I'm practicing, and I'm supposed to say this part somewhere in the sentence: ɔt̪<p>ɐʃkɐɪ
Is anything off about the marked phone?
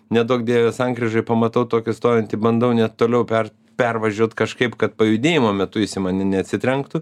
yes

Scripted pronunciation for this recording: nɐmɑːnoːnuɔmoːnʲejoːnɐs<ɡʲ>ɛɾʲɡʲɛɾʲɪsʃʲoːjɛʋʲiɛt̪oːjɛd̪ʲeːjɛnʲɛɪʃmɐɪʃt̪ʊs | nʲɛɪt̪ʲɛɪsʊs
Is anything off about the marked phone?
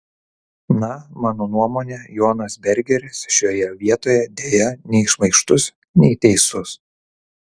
yes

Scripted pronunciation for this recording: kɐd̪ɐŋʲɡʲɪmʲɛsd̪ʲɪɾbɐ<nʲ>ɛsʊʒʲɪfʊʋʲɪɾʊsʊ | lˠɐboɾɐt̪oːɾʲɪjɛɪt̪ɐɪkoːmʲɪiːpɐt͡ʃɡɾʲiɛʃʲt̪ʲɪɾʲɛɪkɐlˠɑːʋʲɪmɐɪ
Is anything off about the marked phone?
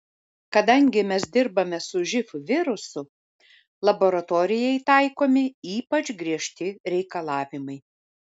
yes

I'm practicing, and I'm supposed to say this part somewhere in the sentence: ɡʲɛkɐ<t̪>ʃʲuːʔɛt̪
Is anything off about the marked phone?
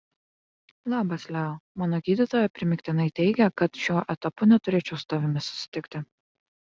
no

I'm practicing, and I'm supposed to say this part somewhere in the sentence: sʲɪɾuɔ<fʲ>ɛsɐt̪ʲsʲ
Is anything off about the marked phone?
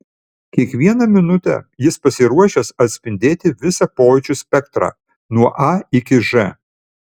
yes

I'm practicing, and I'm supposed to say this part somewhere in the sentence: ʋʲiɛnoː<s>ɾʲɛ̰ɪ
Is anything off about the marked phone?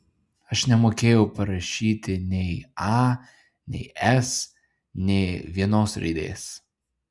no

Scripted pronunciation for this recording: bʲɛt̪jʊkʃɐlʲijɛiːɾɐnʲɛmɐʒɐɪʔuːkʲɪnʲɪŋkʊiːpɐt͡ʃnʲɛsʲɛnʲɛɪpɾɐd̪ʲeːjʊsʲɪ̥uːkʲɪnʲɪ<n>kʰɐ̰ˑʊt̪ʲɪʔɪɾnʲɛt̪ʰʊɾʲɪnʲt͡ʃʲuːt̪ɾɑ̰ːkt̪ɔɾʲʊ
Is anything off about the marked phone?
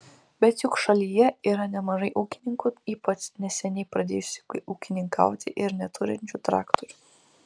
yes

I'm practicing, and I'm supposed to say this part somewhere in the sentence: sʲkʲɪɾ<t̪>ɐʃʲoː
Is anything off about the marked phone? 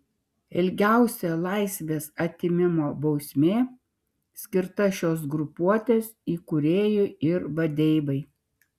no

